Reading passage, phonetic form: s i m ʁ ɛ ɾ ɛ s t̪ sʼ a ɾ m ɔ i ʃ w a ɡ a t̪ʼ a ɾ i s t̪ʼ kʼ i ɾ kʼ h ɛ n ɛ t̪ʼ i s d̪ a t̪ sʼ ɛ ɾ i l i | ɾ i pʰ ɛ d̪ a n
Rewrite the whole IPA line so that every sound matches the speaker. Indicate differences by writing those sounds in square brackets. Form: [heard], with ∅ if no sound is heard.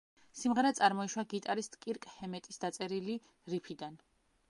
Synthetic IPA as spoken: s i m ʁ ɛ ɾ ɛ [∅] t̪ sʼ a ɾ m ɔ i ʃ w a ɡ [i] t̪ʼ a ɾ i s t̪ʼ kʼ i ɾ kʼ h ɛ [m] ɛ t̪ʼ i s d̪ a t̪ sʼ ɛ ɾ i l i | ɾ i pʰ [i] d̪ a n